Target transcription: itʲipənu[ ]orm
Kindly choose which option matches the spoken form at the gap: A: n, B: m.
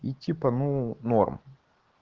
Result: A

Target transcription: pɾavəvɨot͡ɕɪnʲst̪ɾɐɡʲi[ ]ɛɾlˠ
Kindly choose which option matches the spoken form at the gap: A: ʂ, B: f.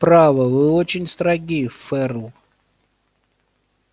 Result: B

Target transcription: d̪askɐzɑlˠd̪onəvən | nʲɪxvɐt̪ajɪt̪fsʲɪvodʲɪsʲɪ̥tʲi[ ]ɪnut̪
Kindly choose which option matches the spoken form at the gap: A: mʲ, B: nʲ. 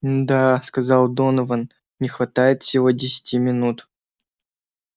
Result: A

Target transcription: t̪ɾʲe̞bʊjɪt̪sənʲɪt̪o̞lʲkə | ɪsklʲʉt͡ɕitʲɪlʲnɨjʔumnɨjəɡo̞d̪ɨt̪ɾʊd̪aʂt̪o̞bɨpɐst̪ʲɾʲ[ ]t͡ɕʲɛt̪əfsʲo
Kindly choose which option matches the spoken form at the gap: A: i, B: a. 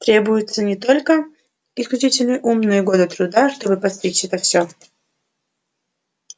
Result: A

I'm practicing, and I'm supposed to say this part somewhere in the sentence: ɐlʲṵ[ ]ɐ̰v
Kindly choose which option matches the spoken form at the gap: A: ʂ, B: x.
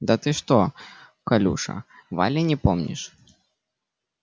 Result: A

